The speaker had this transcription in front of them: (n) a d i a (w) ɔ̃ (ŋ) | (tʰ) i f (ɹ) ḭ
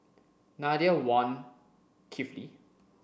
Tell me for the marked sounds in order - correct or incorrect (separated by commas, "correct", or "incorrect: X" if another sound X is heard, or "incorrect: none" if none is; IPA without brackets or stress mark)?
correct, correct, incorrect: n, incorrect: kʰ, incorrect: l